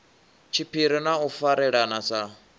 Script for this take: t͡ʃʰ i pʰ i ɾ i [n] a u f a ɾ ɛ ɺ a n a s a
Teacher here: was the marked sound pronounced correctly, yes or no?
yes